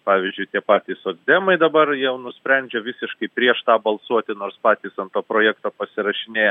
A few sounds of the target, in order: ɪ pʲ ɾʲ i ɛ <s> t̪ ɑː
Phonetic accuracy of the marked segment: incorrect: ʃ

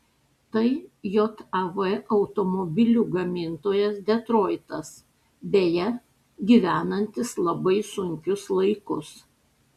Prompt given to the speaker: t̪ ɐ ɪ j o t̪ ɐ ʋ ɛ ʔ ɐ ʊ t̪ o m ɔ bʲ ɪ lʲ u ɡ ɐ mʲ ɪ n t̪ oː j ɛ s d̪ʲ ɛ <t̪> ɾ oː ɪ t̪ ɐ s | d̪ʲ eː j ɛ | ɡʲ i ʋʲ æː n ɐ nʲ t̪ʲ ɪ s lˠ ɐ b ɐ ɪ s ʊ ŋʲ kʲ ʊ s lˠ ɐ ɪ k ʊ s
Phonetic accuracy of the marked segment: correct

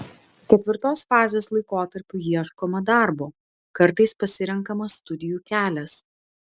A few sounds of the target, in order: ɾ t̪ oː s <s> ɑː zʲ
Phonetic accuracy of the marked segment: incorrect: f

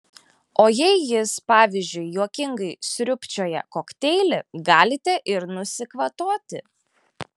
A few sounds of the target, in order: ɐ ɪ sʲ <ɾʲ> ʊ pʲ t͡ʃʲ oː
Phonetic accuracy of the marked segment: correct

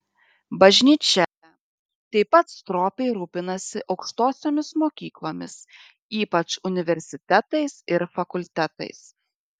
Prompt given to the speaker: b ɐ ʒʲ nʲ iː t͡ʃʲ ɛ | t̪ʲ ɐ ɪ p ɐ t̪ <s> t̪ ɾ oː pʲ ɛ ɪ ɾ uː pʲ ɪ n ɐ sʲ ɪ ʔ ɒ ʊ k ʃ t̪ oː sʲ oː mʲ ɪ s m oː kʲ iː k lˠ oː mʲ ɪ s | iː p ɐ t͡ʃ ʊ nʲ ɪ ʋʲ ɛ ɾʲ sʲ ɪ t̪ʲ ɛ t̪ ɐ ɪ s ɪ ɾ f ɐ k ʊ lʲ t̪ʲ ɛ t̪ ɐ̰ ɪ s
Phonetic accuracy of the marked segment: correct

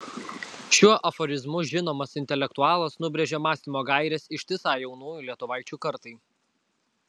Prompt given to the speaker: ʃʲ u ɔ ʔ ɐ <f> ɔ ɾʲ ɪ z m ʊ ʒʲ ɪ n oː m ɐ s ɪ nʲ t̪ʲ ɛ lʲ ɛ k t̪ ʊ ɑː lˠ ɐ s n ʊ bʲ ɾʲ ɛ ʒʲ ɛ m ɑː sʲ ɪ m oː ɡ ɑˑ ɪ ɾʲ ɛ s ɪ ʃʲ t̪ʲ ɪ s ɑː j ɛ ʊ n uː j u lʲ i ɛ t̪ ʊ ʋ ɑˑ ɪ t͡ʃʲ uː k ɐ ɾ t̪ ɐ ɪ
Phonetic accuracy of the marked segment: correct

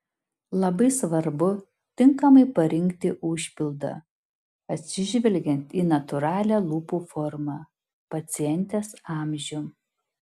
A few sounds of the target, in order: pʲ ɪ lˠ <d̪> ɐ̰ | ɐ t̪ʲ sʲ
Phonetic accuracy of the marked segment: correct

